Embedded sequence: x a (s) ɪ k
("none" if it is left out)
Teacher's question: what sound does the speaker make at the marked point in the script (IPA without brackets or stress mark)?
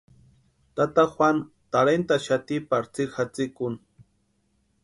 t͡s